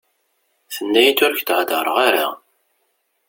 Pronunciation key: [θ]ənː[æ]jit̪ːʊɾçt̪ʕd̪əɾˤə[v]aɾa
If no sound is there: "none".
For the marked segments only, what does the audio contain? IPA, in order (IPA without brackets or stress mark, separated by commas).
θ, æ, ʁ